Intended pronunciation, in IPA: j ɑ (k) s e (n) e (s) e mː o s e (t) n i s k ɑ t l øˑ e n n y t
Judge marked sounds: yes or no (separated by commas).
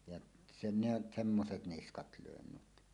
no, yes, yes, yes